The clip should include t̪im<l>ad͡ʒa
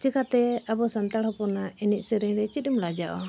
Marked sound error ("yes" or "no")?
no